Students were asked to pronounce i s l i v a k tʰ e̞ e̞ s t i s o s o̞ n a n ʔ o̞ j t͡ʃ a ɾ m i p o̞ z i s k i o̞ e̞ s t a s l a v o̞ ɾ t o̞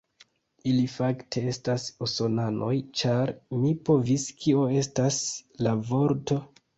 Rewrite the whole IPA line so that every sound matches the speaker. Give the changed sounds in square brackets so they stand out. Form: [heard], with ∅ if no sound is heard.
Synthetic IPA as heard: i [∅] l i [f] a k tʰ e̞ e̞ s t [a] s o s o̞ n a n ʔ o̞ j t͡ʃ a ɾ m i p o̞ [v] i s k i o̞ e̞ s t a s l a v o̞ ɾ t o̞